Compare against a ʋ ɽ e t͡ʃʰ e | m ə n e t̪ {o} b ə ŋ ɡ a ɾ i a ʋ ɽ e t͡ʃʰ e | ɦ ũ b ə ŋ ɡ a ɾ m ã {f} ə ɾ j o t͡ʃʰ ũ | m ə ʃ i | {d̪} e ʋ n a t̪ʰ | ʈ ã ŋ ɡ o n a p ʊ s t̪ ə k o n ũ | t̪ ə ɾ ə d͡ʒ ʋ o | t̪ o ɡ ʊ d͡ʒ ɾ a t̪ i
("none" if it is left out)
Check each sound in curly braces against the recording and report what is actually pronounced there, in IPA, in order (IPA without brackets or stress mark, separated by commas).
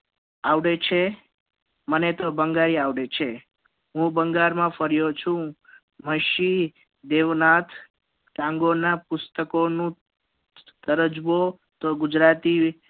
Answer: o, f, d̪